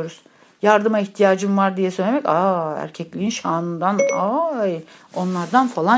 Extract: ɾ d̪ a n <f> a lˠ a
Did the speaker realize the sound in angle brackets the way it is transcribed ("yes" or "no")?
yes